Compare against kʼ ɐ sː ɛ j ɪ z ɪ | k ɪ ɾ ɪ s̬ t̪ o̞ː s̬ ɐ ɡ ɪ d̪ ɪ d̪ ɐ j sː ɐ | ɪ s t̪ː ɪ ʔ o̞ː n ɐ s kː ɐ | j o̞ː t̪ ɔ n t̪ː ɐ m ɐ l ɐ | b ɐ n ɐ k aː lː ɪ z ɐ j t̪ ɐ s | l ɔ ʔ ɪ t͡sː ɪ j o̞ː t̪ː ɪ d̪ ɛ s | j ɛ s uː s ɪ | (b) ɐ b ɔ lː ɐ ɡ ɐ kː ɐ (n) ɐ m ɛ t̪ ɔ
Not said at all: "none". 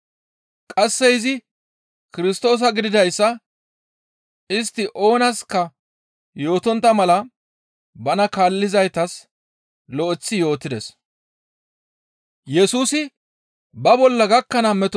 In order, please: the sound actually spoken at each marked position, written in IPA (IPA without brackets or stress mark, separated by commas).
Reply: b, n